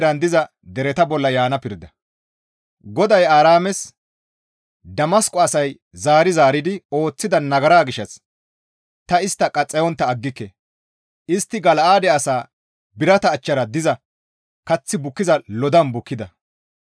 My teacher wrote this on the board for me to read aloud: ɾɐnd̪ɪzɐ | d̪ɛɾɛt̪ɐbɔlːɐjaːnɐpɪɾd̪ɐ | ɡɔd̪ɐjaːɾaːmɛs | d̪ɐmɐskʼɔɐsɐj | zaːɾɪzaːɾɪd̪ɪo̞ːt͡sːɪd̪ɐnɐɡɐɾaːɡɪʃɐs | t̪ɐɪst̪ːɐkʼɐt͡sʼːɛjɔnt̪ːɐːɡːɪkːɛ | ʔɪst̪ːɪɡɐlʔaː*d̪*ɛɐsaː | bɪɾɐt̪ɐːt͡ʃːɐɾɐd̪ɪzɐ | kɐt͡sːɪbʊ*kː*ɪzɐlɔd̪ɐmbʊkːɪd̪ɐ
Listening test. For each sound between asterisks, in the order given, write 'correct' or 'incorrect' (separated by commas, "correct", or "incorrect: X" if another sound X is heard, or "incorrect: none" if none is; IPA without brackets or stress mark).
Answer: correct, correct